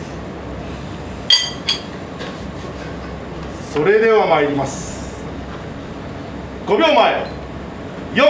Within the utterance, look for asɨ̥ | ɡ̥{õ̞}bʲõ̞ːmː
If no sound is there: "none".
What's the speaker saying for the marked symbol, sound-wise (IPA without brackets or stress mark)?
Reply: o̞